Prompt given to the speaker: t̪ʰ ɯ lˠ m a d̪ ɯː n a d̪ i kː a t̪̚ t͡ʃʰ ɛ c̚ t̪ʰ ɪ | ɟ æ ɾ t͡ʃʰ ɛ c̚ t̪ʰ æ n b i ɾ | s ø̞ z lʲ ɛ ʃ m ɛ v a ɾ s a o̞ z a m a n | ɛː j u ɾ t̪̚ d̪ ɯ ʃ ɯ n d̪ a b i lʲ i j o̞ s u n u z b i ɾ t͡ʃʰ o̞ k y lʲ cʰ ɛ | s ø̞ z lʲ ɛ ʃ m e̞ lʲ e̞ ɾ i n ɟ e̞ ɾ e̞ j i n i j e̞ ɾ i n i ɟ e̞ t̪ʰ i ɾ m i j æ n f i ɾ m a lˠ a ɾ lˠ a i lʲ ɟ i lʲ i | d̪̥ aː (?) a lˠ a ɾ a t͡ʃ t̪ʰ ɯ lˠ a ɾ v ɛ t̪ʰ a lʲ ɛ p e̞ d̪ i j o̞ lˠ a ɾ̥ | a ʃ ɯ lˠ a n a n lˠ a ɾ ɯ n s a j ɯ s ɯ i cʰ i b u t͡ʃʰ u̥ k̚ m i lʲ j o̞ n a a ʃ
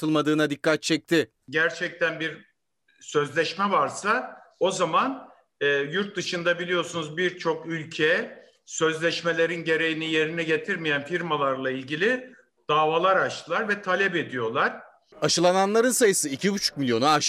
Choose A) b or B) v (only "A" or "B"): B